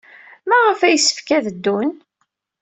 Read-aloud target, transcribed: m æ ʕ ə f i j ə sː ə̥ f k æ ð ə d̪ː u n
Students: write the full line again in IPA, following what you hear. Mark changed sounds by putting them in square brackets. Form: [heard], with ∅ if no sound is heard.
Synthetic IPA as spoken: m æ [ʁ] ə f [æ] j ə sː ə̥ f k æ ð ə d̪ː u n